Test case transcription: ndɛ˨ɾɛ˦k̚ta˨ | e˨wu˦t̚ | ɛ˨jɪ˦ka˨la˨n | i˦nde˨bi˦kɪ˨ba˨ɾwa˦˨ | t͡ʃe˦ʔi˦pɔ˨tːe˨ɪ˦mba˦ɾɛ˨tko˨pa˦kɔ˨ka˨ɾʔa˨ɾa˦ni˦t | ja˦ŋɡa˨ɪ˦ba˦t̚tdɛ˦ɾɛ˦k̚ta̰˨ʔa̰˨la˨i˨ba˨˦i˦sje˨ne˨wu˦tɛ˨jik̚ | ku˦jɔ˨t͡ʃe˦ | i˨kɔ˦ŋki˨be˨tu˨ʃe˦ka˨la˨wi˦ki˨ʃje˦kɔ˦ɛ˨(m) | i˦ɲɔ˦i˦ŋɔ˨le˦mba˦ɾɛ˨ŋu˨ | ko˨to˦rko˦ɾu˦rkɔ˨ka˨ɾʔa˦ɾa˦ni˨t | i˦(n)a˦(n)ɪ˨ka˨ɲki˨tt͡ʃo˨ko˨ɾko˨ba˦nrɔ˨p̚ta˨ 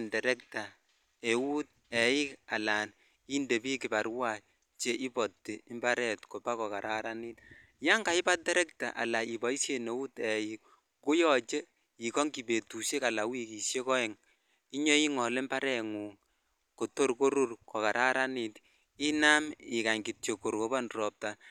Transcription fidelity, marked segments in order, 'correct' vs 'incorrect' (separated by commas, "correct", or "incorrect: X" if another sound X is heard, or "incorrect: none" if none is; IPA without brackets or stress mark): incorrect: ŋ, correct, incorrect: m